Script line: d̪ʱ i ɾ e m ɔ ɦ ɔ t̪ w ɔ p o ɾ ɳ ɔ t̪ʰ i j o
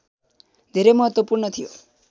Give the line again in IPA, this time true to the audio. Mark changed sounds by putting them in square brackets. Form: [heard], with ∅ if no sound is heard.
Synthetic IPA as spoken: d̪ʱ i ɾ e m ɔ ɦ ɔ t̪ w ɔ p [u] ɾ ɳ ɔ t̪ʰ i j o